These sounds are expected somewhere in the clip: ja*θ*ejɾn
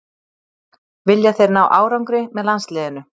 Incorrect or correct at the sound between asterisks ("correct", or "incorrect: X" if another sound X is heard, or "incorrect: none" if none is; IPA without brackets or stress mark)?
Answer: correct